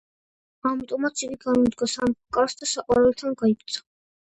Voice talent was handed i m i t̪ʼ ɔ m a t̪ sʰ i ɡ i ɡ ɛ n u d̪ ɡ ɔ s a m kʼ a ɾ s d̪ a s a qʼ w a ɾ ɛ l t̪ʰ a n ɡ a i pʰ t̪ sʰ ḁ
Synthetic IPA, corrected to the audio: a m i t̪ʼ ɔ m a t̪ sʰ i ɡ i ɡ a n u d̪ ɡ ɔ s a m kʼ a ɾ s d̪ a s a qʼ w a ɾ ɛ l t̪ʰ a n ɡ a i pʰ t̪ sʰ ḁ